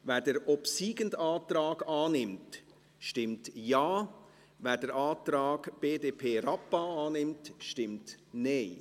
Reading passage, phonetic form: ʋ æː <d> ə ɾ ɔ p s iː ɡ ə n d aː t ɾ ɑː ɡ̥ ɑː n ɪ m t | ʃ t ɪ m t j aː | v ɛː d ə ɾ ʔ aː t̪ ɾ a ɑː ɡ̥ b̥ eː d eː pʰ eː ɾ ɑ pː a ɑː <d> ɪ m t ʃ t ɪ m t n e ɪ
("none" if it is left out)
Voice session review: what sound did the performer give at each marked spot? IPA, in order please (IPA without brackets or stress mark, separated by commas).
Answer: d, n